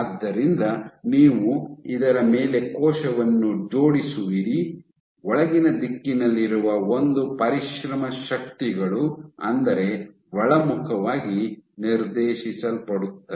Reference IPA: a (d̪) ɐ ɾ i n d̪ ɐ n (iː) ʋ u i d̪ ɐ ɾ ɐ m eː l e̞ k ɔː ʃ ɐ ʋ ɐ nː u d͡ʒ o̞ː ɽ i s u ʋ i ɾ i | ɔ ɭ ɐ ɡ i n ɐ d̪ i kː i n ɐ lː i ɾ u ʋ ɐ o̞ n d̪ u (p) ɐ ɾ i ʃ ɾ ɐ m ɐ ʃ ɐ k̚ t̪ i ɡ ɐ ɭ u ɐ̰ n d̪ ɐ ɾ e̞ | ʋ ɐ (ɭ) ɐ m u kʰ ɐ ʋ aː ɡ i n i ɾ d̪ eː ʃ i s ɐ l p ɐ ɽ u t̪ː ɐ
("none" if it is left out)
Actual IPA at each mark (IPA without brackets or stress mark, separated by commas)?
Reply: d̪ː, iː, p, ɭ